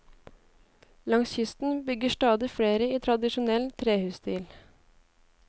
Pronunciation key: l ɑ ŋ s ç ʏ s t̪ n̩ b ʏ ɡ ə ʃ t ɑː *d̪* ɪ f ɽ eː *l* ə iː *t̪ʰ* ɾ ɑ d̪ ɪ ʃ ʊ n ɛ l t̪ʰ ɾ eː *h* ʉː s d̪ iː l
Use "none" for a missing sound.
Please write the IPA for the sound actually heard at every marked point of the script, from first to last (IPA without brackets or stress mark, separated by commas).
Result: d̪, ɾ, t̪ʰ, h